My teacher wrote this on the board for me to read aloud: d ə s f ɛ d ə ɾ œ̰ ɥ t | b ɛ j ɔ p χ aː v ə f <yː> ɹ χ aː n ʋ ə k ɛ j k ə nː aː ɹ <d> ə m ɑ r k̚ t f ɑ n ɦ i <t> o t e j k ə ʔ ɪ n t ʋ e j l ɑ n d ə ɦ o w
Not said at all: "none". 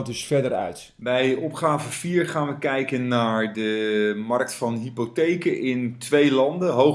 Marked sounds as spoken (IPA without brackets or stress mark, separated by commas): iː, d, p